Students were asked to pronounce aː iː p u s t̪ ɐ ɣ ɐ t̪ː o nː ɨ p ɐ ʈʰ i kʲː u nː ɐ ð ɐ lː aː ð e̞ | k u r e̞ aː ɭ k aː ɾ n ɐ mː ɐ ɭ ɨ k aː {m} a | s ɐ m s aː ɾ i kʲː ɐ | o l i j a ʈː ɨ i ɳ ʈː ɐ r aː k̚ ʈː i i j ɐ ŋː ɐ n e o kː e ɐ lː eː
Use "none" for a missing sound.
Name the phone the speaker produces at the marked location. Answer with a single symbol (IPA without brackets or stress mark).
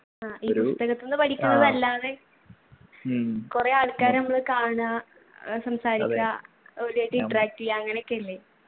ɳ